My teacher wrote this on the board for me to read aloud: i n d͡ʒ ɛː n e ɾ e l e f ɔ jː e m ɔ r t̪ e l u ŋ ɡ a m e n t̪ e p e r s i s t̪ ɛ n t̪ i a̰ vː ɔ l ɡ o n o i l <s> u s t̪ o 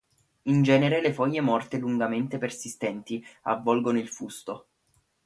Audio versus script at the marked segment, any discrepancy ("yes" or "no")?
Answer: yes